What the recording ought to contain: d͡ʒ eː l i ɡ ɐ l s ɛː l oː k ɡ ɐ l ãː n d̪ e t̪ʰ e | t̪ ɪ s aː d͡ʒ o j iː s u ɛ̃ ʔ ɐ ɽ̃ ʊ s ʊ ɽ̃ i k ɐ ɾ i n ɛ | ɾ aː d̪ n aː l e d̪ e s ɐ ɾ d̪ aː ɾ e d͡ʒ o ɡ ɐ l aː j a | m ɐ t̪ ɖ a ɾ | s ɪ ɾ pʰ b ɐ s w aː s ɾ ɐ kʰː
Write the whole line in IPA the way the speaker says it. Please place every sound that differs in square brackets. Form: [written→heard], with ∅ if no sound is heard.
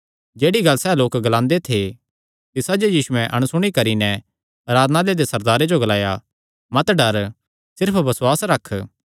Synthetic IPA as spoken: d͡ʒ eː [l→ɽ] i ɡ ɐ l s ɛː l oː k ɡ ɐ l ãː n d̪ e t̪ʰ e | t̪ ɪ s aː d͡ʒ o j iː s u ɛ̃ ʔ ɐ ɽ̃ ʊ s ʊ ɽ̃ i k ɐ ɾ i n ɛ | ɾ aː d̪ n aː l e d̪ e s ɐ ɾ d̪ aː ɾ e d͡ʒ o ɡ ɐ l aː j a | m ɐ t̪ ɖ [a→ɐ] ɾ | s ɪ ɾ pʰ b ɐ s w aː s ɾ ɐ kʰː